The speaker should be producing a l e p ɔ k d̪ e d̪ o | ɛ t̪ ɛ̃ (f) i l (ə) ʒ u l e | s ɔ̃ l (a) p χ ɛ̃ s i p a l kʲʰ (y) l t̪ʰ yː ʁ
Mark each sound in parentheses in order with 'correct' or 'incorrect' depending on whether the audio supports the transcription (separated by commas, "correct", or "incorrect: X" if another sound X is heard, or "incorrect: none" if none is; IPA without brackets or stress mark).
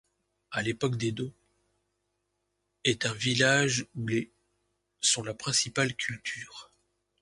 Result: incorrect: v, incorrect: a, correct, correct